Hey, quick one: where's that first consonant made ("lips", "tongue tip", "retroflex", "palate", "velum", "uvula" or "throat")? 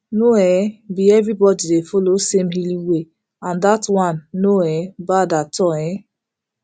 tongue tip